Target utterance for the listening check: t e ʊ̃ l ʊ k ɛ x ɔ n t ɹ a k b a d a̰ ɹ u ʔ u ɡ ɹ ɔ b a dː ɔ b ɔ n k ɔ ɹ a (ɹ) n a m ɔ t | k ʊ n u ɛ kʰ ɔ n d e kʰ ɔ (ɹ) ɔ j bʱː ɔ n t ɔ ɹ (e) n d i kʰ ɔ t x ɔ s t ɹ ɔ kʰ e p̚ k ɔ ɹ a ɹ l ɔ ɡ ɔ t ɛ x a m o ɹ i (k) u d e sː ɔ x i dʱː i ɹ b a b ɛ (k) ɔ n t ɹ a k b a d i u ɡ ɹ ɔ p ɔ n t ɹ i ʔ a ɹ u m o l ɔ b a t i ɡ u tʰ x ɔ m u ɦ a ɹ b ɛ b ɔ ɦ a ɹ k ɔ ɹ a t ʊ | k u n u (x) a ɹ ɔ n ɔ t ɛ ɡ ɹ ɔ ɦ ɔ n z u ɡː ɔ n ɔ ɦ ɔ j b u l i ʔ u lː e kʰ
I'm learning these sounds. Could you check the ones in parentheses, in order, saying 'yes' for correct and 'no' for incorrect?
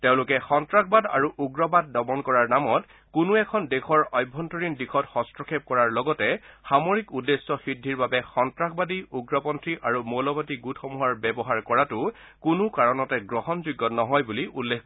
yes, yes, no, yes, no, no

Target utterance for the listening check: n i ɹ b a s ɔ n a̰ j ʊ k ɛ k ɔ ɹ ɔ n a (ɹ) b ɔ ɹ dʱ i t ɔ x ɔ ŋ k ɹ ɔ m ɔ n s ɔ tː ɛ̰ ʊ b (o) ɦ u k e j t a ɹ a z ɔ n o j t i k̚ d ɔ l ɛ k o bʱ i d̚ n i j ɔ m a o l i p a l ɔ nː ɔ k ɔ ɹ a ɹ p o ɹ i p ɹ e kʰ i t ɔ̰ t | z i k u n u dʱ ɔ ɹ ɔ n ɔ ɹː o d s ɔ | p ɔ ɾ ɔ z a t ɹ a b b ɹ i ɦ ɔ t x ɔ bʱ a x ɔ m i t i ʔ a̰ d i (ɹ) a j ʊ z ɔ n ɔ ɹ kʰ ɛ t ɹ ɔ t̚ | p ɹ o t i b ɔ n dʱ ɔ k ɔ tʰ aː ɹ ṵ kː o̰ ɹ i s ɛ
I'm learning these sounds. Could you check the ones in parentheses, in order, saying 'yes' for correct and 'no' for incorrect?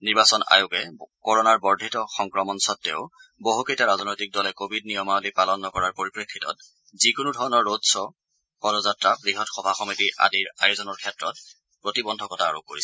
yes, yes, yes

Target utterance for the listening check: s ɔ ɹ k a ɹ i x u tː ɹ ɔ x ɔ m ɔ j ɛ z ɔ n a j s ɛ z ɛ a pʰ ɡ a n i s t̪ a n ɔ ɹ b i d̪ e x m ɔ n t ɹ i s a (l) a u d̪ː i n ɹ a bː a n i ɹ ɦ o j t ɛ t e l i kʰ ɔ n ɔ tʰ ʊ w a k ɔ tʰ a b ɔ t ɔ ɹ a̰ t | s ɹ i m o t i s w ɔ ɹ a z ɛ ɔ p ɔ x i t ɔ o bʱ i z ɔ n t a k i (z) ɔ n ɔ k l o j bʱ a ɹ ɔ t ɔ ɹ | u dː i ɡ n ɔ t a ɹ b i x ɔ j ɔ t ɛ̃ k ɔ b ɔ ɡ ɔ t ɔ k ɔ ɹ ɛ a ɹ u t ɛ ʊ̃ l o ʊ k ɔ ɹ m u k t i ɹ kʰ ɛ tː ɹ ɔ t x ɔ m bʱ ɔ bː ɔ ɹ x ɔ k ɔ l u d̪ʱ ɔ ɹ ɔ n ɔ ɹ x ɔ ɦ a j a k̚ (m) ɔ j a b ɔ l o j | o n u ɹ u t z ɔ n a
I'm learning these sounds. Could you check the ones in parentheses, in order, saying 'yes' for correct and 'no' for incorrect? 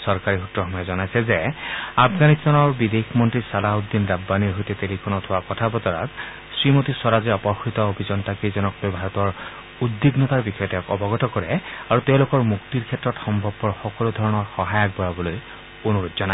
yes, yes, no

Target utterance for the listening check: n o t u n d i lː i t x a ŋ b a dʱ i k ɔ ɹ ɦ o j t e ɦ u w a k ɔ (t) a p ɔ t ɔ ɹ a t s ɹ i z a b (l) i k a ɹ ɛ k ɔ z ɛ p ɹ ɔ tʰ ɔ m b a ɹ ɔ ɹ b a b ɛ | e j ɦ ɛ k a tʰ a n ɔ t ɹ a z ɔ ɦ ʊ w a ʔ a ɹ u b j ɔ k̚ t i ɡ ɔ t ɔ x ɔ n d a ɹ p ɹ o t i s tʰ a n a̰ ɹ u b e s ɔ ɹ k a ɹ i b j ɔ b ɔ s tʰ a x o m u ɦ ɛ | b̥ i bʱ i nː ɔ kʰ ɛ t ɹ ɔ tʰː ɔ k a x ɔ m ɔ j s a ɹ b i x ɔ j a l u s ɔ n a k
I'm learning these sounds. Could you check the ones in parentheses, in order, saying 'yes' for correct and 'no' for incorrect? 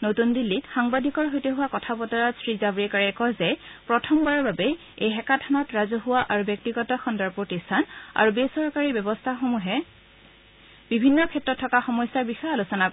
no, no

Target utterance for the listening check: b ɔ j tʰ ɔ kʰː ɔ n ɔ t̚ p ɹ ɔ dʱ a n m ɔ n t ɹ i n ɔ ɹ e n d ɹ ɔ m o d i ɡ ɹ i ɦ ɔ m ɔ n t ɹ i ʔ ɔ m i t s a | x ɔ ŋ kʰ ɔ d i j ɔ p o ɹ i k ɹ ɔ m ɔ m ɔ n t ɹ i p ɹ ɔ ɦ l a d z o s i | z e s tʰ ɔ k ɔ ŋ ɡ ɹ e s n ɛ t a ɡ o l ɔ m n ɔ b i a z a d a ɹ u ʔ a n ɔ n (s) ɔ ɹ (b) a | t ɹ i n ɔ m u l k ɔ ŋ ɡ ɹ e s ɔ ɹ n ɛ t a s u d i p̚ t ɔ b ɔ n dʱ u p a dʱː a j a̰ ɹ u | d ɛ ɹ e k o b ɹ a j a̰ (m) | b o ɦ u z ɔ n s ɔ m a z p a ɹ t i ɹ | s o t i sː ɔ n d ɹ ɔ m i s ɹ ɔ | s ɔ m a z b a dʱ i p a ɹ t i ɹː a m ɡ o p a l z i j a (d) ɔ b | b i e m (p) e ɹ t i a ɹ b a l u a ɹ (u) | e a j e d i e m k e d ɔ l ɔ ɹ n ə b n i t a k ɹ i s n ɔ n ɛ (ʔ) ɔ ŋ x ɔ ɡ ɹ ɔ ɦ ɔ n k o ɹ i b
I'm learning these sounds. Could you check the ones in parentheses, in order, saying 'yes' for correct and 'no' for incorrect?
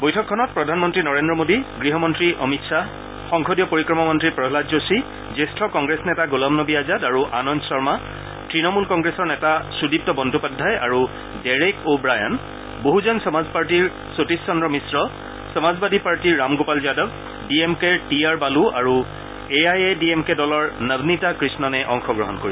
yes, no, no, yes, no, yes, yes

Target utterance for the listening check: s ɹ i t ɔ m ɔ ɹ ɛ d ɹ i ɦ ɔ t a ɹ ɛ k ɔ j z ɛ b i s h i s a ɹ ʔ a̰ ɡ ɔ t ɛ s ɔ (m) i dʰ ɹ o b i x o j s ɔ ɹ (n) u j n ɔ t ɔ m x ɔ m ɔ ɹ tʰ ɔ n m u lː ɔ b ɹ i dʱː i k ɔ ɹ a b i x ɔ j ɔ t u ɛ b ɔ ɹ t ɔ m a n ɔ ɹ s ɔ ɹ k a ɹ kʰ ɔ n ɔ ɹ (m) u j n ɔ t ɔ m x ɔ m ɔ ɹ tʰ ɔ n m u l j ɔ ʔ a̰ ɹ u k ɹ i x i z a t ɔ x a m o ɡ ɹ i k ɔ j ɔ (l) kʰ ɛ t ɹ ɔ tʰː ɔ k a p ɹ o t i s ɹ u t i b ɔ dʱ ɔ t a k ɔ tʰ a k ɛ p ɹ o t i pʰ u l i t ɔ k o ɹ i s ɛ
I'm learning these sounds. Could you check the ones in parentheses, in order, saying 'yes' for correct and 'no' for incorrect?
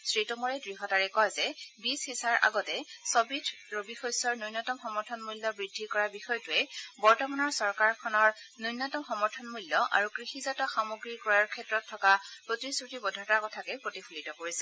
no, yes, no, no

